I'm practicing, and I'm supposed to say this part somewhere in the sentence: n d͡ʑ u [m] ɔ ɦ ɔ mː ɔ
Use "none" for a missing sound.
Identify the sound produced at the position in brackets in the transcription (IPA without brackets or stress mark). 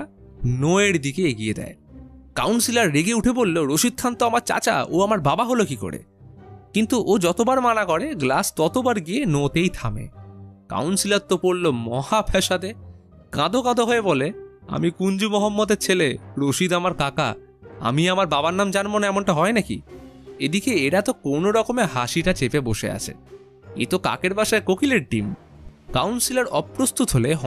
m